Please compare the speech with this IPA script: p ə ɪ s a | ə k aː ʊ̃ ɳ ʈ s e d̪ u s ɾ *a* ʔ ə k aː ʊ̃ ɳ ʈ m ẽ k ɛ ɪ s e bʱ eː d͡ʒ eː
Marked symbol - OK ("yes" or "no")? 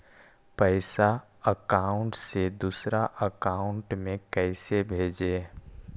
yes